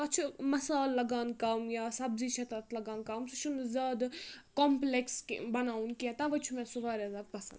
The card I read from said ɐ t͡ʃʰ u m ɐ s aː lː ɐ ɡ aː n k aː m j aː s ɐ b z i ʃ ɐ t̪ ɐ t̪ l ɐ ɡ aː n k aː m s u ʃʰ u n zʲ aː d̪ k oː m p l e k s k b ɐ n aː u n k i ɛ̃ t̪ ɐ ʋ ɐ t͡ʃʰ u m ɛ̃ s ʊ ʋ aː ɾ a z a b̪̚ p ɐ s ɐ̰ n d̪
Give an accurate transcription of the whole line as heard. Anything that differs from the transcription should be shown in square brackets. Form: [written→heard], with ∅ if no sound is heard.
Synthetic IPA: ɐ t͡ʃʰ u m ɐ s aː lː ɐ ɡ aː n k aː m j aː s ɐ b z i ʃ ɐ t̪ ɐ t̪ l ɐ ɡ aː n k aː m s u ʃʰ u n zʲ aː d̪ k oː m p l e k s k b ɐ n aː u n k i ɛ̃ t̪ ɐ ʋ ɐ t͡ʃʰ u m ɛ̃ s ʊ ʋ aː ɾ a z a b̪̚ p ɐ s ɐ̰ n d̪